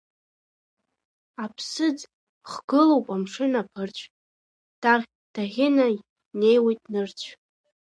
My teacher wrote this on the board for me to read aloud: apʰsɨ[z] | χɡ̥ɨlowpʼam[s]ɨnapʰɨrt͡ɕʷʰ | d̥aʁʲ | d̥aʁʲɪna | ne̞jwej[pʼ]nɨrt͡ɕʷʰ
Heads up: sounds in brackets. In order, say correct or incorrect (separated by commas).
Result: incorrect, incorrect, incorrect